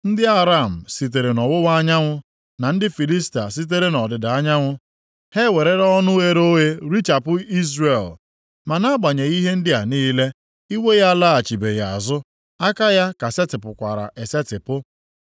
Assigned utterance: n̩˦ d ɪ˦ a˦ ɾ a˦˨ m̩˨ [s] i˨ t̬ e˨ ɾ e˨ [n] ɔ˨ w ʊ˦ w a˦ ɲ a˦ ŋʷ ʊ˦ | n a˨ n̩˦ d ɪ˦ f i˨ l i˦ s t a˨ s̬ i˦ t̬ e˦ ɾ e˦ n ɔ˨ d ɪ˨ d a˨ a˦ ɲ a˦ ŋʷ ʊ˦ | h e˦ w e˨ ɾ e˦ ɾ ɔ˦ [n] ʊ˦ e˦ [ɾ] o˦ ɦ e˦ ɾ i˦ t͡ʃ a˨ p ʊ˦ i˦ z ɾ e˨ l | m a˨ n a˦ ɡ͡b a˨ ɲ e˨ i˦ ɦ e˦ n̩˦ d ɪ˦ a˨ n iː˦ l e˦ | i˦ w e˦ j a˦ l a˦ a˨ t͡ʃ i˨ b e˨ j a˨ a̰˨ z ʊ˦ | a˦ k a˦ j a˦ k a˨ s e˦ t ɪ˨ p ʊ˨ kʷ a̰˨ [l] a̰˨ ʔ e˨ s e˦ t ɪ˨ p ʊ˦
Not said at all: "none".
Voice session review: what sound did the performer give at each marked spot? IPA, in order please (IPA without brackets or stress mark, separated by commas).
s, n, n, ɾ, ɾ